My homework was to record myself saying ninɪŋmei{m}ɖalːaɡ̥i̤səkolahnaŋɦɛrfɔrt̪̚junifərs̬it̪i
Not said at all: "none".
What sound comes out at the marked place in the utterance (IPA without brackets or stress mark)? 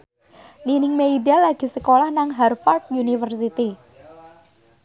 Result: none